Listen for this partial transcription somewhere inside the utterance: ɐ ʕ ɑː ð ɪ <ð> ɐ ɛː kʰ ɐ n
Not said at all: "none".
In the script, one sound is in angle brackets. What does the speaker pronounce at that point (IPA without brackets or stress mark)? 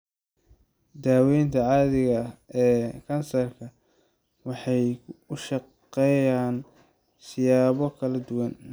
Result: ɣ